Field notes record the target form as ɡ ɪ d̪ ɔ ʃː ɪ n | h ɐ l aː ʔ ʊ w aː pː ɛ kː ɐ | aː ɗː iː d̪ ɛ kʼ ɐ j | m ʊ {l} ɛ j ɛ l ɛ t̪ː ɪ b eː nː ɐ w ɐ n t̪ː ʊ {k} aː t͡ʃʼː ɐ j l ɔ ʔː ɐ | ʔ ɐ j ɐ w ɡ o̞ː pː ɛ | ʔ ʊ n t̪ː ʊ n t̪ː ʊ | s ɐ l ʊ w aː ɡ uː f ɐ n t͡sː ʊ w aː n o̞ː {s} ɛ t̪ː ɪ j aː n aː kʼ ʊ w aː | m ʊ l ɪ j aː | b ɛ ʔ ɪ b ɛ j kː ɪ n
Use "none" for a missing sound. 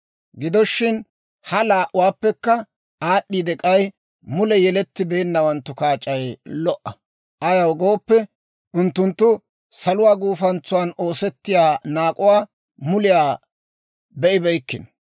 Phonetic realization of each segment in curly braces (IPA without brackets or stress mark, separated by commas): l, k, s